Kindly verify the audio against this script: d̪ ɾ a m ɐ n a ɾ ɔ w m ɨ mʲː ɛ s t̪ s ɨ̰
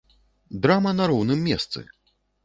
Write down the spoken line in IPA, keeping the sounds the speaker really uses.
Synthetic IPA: d̪ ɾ a m ɐ n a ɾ ɔ w n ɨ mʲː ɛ s t̪ s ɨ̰